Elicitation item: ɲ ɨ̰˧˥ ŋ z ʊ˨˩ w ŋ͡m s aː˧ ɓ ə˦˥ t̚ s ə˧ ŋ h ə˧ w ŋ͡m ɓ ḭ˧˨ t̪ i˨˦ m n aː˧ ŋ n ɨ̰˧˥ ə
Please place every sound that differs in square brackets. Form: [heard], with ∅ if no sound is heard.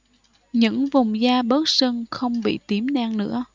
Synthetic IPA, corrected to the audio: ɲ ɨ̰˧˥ ŋ [v] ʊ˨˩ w ŋ͡m [z] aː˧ ɓ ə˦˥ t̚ s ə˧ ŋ [x] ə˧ w ŋ͡m ɓ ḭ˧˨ t̪ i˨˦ m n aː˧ ŋ n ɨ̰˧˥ ə